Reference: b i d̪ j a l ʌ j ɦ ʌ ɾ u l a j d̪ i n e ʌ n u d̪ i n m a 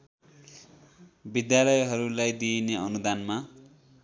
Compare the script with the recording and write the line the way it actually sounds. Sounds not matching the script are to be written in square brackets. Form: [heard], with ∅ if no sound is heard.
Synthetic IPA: b i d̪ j a l ʌ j ɦ ʌ ɾ u l a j d̪ i n e ʌ n u d̪ [a] n m a